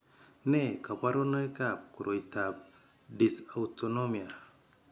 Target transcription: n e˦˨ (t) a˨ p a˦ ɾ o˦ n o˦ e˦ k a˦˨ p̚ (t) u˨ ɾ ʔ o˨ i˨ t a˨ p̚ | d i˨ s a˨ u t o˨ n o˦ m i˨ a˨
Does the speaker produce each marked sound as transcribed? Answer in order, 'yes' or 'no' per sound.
no, no

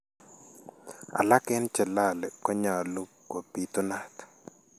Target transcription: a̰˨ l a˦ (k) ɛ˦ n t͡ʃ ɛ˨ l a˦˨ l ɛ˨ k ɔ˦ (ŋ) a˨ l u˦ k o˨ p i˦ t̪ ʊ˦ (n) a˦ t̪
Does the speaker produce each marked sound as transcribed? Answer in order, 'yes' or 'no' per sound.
yes, no, yes

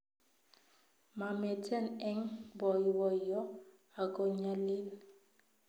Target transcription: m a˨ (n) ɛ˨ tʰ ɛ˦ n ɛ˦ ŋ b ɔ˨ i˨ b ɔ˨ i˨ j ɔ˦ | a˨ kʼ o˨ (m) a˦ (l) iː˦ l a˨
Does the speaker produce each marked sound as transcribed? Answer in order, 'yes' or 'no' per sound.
no, no, yes

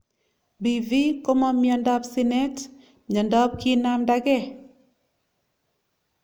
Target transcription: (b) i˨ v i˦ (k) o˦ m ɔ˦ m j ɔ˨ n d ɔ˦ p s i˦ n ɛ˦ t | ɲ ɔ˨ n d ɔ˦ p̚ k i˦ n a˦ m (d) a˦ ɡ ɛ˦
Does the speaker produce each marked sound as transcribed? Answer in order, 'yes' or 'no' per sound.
yes, yes, yes

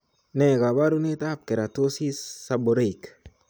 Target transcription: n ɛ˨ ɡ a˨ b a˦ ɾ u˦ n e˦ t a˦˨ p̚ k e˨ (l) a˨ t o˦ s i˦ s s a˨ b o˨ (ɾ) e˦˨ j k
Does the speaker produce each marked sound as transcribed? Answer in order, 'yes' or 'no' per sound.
no, yes

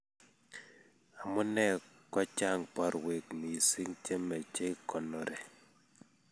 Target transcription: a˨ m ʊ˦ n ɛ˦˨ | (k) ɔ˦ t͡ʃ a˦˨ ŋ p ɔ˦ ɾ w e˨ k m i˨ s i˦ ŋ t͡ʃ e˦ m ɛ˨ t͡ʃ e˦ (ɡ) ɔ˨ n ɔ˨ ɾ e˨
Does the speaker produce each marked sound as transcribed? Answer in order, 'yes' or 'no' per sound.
yes, no

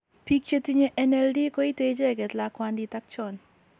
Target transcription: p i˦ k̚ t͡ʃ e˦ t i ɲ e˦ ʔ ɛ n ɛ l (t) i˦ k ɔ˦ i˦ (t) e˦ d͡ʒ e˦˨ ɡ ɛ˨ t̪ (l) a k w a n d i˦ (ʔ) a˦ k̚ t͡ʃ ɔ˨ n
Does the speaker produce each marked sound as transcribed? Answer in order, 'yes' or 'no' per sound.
no, yes, yes, no

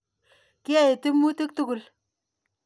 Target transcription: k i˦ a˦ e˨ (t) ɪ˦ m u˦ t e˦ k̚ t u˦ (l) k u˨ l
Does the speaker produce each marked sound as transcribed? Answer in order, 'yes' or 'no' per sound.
yes, no

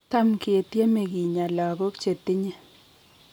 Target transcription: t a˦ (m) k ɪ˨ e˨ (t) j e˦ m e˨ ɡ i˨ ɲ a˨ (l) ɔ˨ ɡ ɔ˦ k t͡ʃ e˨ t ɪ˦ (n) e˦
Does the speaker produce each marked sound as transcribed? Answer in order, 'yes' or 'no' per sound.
yes, yes, yes, no

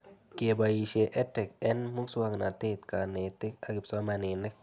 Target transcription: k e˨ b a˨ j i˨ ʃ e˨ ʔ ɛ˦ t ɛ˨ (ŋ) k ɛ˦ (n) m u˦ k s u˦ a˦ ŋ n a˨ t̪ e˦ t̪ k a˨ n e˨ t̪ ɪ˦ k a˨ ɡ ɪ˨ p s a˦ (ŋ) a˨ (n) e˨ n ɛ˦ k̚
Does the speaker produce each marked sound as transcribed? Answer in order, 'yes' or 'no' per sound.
no, yes, no, yes

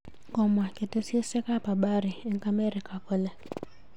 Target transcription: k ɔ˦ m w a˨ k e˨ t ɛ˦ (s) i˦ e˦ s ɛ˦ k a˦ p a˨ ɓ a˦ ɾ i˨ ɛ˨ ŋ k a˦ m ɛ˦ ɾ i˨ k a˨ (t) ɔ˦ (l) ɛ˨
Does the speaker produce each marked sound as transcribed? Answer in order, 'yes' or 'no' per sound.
yes, no, yes

